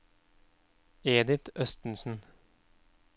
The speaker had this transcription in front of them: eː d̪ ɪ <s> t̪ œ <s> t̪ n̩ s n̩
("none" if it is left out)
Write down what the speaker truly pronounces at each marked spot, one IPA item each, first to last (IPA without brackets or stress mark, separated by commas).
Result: none, s